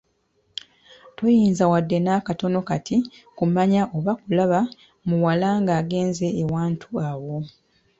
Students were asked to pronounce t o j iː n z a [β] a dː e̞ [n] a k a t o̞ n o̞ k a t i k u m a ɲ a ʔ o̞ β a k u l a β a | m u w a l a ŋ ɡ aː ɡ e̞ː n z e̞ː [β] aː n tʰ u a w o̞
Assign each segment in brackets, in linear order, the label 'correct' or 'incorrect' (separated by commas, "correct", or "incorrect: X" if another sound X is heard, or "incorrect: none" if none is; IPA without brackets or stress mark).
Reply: incorrect: w, correct, incorrect: w